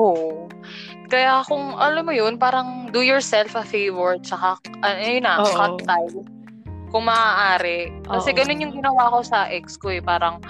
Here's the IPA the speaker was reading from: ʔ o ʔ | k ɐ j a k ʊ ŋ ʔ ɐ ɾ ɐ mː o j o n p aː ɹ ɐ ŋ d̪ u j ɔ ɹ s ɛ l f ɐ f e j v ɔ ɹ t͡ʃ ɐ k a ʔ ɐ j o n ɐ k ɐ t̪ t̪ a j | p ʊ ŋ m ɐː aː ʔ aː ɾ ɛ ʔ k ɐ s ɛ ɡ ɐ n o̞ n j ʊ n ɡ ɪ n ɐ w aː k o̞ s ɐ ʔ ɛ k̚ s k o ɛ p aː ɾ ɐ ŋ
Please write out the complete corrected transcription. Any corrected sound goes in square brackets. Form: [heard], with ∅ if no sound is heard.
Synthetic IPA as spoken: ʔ o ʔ | k ɐ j a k ʊ ŋ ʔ ɐ [l] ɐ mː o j o n p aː [ɾ] ɐ ŋ d̪ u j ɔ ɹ s ɛ l f ɐ f e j v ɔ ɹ t͡ʃ ɐ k a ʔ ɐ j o n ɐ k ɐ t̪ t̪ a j | [k] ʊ ŋ m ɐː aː ʔ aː ɾ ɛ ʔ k ɐ s ɛ ɡ ɐ n o̞ n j ʊ [ŋ] ɡ ɪ n ɐ w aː k o̞ s ɐ ʔ ɛ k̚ s k o ɛ p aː ɾ ɐ ŋ